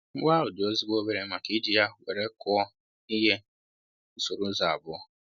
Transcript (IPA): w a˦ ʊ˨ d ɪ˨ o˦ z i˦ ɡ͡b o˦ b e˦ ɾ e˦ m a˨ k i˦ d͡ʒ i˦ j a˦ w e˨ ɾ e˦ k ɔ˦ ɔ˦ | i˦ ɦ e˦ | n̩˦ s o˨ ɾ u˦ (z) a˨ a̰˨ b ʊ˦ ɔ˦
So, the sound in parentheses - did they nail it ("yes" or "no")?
yes